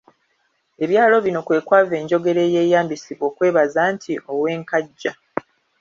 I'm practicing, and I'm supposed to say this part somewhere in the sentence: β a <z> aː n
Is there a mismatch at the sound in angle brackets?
no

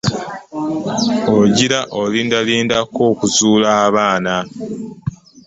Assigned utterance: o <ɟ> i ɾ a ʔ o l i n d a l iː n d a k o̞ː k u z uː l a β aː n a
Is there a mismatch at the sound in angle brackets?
no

